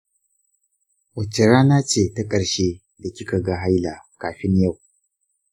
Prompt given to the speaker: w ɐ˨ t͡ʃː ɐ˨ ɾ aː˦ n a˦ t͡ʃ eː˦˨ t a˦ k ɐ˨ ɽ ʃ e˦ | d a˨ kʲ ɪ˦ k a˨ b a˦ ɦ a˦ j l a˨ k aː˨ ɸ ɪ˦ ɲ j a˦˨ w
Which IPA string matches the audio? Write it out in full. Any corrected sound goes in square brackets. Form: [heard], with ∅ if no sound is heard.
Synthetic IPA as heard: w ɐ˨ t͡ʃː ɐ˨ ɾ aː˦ n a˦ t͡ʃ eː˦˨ t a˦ [kʼ] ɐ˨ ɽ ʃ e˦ | d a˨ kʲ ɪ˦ k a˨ [ɡ] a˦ ɦ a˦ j l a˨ k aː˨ ɸ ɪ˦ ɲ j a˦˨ w